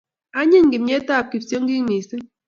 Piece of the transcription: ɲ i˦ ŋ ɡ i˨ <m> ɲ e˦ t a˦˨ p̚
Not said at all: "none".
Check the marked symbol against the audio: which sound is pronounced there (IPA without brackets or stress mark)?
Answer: m